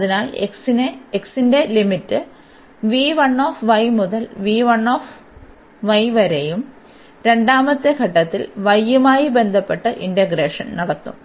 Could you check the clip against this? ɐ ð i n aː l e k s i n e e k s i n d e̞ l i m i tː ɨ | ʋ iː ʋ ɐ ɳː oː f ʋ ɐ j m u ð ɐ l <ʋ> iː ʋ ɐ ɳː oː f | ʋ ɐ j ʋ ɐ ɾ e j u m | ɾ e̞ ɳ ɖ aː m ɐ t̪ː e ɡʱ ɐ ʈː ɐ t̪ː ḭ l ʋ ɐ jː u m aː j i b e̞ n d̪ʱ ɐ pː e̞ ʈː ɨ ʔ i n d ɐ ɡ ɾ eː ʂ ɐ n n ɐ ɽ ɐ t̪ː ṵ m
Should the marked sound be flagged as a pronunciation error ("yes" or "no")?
no